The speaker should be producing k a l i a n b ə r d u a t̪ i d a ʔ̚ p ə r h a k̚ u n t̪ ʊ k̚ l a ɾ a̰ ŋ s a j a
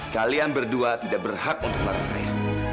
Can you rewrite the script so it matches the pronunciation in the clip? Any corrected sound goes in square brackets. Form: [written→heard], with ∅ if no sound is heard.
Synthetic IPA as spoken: k a l i a n b ə r d u a t̪ i d a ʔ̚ [p→b] ə r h a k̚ u n t̪ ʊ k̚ l a ɾ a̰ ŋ s a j a